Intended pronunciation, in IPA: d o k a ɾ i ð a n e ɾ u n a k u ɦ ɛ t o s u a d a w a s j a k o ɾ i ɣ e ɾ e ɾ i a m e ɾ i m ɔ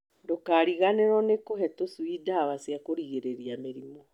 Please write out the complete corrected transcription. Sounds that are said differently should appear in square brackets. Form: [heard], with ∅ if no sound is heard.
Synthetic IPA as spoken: d o k a ɾ i [ɣ] a n e ɾ [ɔ] n [e] k [o] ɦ ɛ t o s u [i] d a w a s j a k o ɾ i ɣ e ɾ e ɾ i a m e ɾ i m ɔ